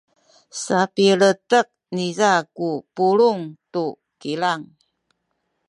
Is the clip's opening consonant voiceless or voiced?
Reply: voiceless